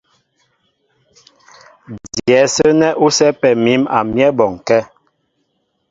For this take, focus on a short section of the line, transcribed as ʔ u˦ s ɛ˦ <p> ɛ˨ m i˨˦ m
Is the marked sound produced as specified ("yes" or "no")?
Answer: yes